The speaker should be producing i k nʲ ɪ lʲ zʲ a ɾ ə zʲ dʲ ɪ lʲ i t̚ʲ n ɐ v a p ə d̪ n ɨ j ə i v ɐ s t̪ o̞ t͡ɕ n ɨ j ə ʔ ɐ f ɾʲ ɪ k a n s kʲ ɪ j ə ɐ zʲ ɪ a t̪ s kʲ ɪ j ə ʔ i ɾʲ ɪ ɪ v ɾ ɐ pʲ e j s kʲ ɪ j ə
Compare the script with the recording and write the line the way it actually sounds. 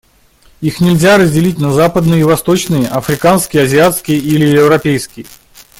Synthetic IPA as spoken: i x nʲ ɪ lʲ zʲ a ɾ ə zʲ dʲ ɪ lʲ i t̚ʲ n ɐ z a p ə d̪ n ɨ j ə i v ɐ s t̪ o̞ t͡ɕ n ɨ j ə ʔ ɐ f ɾʲ ɪ k a n s kʲ ɪ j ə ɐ zʲ ɪ a t̪ s kʲ ɪ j ə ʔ i lʲ ɪ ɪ v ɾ ɐ pʲ e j s kʲ ɪ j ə